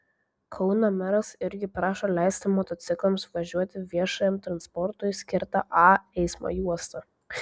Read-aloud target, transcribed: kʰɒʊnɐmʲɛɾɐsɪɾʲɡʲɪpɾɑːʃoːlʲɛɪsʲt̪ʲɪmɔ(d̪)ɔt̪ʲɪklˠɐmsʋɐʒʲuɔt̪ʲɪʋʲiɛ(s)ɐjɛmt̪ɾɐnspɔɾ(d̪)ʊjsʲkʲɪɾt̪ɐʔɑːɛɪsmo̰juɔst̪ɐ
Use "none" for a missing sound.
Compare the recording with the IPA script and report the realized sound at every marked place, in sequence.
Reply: t̪, ʃ, t̪

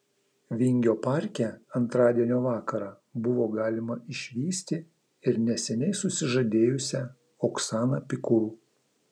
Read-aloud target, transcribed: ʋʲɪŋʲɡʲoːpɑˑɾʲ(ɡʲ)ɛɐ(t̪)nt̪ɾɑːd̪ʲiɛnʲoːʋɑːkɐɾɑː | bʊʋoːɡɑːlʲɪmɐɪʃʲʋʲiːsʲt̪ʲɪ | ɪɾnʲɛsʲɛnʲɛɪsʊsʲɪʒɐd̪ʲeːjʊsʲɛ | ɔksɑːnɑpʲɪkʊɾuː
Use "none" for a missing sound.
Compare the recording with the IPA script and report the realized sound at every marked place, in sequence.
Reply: kʲ, none

